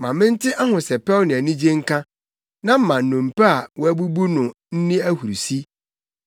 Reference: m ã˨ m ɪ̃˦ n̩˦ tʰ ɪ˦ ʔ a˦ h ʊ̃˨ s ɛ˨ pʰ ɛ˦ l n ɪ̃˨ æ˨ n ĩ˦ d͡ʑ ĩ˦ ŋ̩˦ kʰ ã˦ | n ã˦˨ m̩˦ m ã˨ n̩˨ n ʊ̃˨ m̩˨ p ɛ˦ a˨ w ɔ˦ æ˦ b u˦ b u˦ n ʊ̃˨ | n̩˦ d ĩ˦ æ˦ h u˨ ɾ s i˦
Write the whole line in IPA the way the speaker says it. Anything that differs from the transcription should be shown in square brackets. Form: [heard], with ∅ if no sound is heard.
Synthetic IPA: m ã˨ m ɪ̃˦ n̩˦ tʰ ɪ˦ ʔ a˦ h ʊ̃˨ s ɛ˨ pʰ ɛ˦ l n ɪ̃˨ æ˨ n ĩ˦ d͡ʑ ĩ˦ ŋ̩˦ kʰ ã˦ | n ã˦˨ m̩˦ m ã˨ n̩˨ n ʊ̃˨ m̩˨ p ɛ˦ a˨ w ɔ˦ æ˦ b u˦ b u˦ n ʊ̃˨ | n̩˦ [n] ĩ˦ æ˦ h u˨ ɾ s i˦